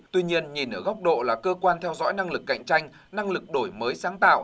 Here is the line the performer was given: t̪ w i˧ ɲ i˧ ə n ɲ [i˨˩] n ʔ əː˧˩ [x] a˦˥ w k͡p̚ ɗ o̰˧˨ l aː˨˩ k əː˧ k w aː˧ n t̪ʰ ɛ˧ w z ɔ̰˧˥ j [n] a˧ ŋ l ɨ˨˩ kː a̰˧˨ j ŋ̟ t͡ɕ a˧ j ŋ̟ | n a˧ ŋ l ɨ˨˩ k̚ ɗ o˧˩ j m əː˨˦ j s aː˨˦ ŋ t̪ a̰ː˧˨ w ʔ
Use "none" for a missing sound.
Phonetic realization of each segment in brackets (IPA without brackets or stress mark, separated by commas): i˨˩, ɣ, n